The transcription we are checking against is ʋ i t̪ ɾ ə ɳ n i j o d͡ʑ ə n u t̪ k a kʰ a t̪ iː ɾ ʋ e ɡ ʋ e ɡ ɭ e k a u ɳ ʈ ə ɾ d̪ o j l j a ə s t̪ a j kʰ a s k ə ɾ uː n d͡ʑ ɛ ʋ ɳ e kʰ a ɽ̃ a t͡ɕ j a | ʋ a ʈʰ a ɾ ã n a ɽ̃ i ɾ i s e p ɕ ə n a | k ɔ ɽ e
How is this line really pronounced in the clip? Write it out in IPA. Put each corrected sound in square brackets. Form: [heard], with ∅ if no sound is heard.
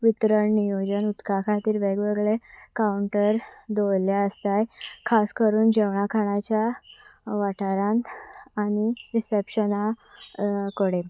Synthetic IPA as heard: ʋ i t̪ ɾ ə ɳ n i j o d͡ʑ ə n u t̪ k a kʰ a t̪ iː ɾ ʋ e ɡ ʋ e ɡ ɭ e k a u ɳ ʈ ə ɾ d̪ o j l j a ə s t̪ a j kʰ a s k ə ɾ uː n d͡ʑ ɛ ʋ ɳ [a] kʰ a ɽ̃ a t͡ɕ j a | ʋ a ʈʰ a ɾ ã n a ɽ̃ i ɾ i s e p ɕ ə n a | k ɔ ɽ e

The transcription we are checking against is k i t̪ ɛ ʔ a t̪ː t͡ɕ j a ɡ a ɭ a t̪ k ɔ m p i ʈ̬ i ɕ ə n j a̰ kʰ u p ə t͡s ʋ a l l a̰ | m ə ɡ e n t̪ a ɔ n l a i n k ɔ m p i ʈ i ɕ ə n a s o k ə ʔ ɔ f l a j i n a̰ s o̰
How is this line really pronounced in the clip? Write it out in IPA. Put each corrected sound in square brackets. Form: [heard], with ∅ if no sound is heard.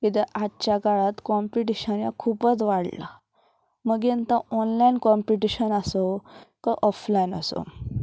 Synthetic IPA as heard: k i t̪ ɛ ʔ a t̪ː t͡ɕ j a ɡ a ɭ a t̪ k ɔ m p i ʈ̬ i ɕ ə n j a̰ kʰ u p ə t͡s ʋ a [ɽ] l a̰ | m ə ɡ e n t̪ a ɔ n l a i n k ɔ m p i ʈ i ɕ ə n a s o k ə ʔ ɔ f l a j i n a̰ s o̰

